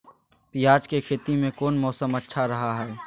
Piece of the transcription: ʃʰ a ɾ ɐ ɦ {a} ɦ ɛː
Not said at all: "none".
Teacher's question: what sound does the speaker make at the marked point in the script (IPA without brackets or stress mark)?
a